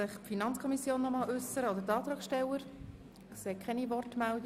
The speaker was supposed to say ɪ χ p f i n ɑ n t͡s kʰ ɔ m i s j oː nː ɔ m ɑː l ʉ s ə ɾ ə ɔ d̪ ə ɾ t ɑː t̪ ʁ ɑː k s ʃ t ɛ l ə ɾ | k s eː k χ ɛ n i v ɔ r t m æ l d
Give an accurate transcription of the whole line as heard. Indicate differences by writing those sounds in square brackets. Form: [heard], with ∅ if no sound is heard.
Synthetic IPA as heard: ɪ χ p f i n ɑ n t͡s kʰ ɔ m i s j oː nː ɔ m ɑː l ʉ s ə ɾ ə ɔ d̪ ə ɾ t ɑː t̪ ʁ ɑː k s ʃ t ɛ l ə ɾ | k s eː k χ ɛ n i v ɔ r t m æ l d